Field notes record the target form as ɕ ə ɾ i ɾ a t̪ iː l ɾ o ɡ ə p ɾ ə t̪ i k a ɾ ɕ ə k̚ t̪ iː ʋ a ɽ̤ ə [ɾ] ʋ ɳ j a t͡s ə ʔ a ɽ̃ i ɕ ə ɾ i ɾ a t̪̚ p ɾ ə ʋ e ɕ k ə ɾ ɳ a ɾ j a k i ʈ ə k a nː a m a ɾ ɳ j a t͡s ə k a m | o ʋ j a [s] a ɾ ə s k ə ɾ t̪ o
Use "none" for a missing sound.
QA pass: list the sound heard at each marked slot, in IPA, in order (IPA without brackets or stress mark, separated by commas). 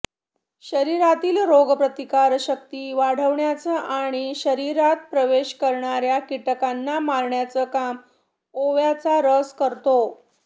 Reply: none, t͡s